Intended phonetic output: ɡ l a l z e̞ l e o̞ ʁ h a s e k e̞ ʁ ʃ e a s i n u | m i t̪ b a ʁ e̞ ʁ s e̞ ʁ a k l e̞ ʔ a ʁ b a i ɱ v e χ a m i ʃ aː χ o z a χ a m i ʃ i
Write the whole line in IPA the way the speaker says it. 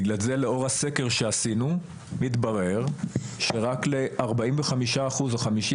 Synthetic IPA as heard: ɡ l a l z e̞ l e o̞ ʁ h a s e k e̞ ʁ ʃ e a s i n u | m i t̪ b a ʁ e̞ ʁ ʃ e̞ ʁ a k l e̞ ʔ a ʁ b a i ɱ v e χ a m i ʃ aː χ u z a χ a m i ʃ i